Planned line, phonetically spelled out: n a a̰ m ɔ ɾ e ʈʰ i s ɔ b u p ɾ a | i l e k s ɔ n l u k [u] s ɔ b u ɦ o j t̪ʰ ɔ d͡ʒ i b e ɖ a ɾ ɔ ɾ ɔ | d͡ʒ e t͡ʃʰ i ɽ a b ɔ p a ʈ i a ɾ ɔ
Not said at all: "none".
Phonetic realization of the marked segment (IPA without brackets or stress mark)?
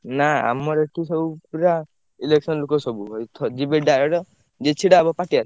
ɔ